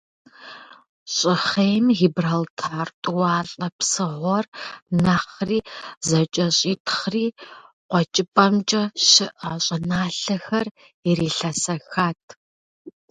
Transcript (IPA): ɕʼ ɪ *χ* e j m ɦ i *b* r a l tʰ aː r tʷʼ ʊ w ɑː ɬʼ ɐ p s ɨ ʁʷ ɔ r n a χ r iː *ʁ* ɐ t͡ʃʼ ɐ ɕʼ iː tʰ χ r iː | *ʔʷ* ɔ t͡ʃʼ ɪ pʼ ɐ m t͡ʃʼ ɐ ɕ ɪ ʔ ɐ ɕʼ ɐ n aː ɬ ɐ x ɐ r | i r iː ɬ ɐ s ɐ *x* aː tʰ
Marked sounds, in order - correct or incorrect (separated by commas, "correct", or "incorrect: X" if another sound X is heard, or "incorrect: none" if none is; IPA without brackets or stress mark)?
correct, correct, incorrect: z, incorrect: qʷ, correct